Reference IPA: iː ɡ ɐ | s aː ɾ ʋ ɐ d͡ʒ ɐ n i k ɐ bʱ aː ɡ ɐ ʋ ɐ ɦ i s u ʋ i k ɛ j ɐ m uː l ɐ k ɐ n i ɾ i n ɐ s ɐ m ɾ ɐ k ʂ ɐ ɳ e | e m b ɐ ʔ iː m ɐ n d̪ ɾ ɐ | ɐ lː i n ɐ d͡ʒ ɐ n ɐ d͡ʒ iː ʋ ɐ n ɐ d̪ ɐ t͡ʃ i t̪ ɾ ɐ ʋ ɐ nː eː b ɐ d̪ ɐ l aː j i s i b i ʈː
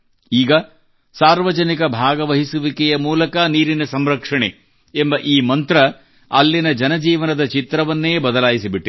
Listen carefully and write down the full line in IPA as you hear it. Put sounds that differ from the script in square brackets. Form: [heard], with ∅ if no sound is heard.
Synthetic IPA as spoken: iː ɡ ɐ | s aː ɾ ʋ ɐ d͡ʒ ɐ n i k ɐ bʱ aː ɡ ɐ ʋ ɐ ɦ i s u ʋ i k ɛ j ɐ m uː l ɐ k ɐ n [iː] ɾ i n ɐ s ɐ m ɾ ɐ k ʂ ɐ ɳ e | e m b ɐ ʔ iː m ɐ n [t̪] ɾ ɐ | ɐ lː i n ɐ d͡ʒ ɐ n ɐ d͡ʒ iː ʋ ɐ n ɐ d̪ ɐ t͡ʃ i t̪ ɾ ɐ ʋ ɐ nː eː b ɐ d̪ ɐ l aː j i s i b i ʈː

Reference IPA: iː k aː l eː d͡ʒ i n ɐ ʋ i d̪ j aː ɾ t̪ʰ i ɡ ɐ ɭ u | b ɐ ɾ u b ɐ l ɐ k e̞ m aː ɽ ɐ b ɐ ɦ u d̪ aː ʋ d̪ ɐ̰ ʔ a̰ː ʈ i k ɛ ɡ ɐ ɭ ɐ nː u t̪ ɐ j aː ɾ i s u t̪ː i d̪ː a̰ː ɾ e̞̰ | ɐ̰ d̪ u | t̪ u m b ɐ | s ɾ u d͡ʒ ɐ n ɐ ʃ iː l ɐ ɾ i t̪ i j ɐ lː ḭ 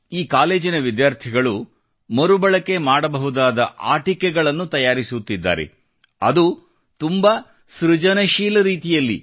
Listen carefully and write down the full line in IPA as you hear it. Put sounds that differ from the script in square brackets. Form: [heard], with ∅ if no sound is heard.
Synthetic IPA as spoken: iː k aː l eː d͡ʒ i n ɐ ʋ i d̪ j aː ɾ t̪ʰ i ɡ ɐ ɭ u | [m] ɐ ɾ u b ɐ [ɭ] ɐ k e̞ m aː ɽ ɐ b ɐ ɦ u d̪ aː [∅] d̪ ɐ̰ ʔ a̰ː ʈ i k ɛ ɡ ɐ ɭ ɐ nː u t̪ ɐ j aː ɾ i s u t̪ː i d̪ː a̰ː ɾ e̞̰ | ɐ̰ d̪ u | t̪ u m b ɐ | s ɾ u d͡ʒ ɐ n ɐ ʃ iː l ɐ ɾ [iː] t̪ i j ɐ lː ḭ

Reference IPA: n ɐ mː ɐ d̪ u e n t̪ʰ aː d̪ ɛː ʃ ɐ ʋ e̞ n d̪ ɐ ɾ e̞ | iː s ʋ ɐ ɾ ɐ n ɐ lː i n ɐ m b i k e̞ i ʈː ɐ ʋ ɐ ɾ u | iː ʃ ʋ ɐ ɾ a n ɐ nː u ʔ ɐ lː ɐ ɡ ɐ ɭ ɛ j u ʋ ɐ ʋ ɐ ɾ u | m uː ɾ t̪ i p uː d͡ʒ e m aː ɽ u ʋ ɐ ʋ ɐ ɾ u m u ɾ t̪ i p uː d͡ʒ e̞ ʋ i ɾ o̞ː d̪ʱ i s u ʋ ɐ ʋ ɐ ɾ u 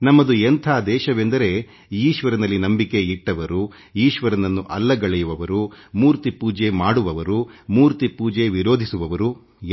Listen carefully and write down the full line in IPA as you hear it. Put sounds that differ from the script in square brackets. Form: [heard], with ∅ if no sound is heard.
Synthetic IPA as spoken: n ɐ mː ɐ d̪ u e n t̪ʰ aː d̪ ɛː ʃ ɐ ʋ e̞ n d̪ ɐ ɾ e̞ | iː [ʃ] ʋ ɐ ɾ ɐ n ɐ lː i n ɐ m b i k e̞ i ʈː ɐ ʋ ɐ ɾ u | iː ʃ ʋ ɐ ɾ [ɐ] n ɐ nː u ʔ ɐ lː ɐ ɡ ɐ ɭ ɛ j u ʋ ɐ ʋ ɐ ɾ u | m uː ɾ t̪ i p uː d͡ʒ e m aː ɽ u ʋ ɐ ʋ ɐ ɾ u m [uː] ɾ t̪ i p uː d͡ʒ e̞ ʋ i ɾ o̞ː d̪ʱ i s u ʋ ɐ ʋ ɐ ɾ u

